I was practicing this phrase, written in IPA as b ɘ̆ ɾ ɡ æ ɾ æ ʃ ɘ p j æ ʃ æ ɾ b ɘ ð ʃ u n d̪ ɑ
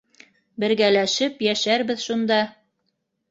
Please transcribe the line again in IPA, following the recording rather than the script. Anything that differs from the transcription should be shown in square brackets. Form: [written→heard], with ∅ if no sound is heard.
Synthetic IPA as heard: b ɘ̆ ɾ ɡ æ [ɾ→l] æ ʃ ɘ p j æ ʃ æ ɾ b ɘ ð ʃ u n d̪ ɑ